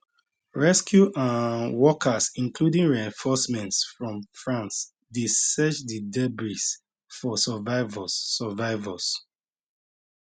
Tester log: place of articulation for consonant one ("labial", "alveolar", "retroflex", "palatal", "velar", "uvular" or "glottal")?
alveolar